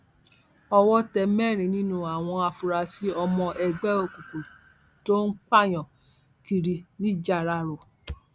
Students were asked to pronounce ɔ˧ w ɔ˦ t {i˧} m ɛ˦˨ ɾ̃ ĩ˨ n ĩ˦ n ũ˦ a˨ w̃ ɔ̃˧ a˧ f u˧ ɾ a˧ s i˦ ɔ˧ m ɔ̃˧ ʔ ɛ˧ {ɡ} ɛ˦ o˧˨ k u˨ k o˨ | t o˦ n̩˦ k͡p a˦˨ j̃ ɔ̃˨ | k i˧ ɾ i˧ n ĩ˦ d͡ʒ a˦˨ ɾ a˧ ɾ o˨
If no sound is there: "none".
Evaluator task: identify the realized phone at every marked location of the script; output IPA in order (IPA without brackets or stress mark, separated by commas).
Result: ɛ˧, ɡ͡b